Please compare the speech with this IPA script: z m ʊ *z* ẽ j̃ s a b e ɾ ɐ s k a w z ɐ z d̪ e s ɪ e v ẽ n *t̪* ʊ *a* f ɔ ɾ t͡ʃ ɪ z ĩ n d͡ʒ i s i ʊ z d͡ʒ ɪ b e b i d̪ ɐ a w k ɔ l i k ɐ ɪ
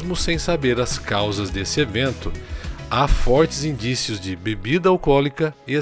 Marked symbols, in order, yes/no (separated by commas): no, yes, yes